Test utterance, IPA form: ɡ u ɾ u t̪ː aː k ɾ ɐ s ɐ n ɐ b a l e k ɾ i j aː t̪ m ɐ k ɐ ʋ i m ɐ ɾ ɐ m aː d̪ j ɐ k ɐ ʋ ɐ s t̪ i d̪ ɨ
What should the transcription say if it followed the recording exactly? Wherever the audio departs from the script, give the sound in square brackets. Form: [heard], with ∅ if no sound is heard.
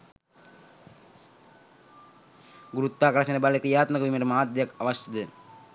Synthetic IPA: ɡ u ɾ u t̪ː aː k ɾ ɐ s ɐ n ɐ b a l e k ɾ i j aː t̪ m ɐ k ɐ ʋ i m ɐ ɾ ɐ m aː d̪ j ɐ k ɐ ʋ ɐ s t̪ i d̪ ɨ